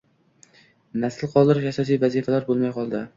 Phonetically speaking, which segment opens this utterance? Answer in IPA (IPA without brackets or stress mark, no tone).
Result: n